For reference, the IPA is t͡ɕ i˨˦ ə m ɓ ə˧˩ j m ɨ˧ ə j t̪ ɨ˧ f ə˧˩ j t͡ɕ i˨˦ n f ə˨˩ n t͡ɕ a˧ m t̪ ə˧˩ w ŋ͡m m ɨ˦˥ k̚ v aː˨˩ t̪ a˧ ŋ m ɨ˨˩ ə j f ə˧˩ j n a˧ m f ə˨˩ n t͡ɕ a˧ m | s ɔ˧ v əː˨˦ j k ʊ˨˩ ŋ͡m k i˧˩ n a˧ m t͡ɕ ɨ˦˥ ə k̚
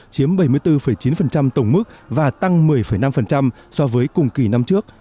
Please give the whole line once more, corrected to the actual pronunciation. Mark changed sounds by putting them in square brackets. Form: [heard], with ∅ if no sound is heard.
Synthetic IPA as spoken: t͡ɕ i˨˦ ə m ɓ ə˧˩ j m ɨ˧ ə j t̪ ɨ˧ f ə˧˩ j t͡ɕ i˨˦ n f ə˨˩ n t͡ɕ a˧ m t̪ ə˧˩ w ŋ͡m m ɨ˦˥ k̚ v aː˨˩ t̪ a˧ ŋ m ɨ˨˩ ə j f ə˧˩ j n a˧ m f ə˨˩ n t͡ɕ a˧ m | s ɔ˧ v əː˨˦ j k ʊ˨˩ ŋ͡m k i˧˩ n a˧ m t͡ɕ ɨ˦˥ ə k̚